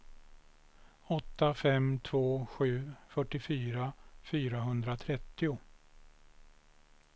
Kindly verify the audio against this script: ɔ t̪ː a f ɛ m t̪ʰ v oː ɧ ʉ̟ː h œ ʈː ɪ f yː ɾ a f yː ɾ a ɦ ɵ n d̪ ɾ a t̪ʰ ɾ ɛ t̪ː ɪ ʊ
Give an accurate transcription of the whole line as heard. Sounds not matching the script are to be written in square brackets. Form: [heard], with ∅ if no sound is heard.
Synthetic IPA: ɔ t̪ː a f ɛ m t̪ʰ v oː ɧ ʉ̟ː [f] œ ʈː ɪ f yː ɾ a f yː ɾ a ɦ ɵ n d̪ ɾ a t̪ʰ ɾ ɛ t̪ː ɪ ʊ